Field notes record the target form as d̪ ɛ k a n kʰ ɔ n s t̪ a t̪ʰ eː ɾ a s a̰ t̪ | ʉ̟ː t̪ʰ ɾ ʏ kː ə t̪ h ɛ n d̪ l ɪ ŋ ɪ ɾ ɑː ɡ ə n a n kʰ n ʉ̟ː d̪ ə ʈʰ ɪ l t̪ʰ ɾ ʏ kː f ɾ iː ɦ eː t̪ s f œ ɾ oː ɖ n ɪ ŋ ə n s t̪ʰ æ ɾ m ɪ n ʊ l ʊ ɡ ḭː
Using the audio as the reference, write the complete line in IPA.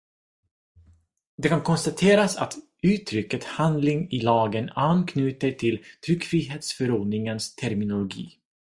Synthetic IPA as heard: d̪ ɛ k a n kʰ ɔ n s t̪ a t̪ʰ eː ɾ a s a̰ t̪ | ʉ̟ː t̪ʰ ɾ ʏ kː ə t̪ h a n d̪ l ɪ ŋ ɪ l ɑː ɡ ə n a n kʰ n ʉ̟ː t̪ ə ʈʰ ɪ l t̪ʰ ɾ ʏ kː f ɾ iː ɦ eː t̪ s f œ ɾ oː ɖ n ɪ ŋ ə n s t̪ʰ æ ɾ m ɪ n ʊ l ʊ ɡ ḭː